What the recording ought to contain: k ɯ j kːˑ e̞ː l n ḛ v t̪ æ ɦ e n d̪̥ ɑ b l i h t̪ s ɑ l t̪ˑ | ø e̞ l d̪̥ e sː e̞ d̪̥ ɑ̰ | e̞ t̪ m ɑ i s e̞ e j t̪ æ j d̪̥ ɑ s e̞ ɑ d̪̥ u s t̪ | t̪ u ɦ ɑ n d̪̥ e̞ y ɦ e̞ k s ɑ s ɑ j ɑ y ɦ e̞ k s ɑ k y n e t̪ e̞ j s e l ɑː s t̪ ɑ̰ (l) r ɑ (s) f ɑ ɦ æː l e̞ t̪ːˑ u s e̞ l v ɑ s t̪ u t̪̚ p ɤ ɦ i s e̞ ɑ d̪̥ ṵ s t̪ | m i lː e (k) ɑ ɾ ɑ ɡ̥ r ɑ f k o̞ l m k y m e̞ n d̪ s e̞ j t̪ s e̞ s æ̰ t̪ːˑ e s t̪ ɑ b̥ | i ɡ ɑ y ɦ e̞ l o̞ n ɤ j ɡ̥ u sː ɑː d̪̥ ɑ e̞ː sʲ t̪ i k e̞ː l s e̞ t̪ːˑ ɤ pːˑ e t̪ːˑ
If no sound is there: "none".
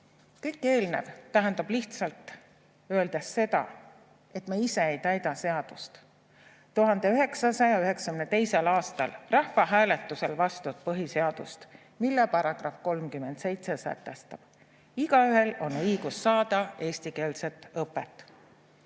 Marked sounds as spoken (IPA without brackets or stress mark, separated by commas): l, h, p